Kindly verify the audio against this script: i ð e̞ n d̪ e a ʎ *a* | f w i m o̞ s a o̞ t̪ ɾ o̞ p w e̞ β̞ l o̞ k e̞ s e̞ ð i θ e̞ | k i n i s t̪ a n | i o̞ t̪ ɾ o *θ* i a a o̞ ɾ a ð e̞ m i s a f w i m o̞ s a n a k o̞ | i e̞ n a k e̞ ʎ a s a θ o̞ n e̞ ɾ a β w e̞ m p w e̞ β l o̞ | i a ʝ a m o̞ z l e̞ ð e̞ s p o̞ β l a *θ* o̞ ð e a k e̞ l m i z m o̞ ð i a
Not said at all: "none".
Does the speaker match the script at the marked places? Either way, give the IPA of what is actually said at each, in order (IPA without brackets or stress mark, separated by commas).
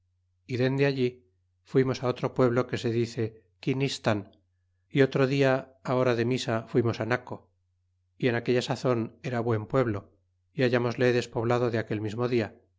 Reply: i, ð, ð